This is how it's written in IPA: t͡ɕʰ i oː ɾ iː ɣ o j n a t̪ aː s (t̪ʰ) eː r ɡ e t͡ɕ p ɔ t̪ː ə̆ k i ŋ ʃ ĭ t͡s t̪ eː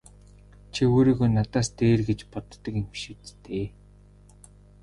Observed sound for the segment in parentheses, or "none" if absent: t̪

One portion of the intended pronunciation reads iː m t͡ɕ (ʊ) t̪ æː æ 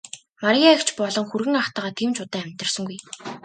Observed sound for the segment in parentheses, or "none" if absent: ʊ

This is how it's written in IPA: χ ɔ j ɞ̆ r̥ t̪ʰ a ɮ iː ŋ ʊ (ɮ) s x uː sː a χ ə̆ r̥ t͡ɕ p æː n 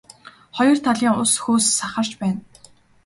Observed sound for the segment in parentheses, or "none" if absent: none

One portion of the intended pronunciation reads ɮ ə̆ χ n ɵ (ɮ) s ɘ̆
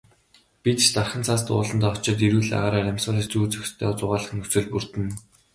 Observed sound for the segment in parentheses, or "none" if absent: none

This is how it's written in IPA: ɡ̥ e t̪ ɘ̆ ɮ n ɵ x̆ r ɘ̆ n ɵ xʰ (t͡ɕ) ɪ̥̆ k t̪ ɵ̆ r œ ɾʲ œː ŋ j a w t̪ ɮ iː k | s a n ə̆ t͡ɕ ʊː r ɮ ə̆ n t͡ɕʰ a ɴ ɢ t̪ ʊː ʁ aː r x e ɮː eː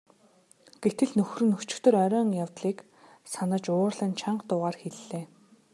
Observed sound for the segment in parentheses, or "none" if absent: t͡ɕ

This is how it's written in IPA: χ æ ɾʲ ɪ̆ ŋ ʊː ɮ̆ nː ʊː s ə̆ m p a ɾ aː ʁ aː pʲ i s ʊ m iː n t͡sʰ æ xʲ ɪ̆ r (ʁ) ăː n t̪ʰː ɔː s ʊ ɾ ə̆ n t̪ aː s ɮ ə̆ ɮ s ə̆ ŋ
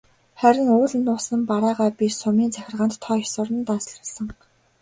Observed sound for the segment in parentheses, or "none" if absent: ʁ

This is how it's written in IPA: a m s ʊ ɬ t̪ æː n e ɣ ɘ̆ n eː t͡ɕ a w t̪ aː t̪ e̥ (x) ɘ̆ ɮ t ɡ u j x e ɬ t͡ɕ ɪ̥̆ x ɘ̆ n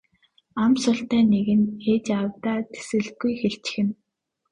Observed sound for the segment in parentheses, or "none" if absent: s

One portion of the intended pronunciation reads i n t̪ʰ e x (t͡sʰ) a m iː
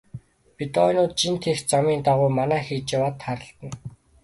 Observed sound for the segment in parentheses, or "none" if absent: t͡s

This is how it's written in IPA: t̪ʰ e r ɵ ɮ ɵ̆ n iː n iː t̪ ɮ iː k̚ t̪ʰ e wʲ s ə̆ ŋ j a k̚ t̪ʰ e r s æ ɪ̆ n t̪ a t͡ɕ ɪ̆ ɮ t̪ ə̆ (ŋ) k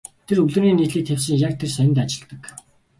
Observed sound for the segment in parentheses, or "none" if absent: none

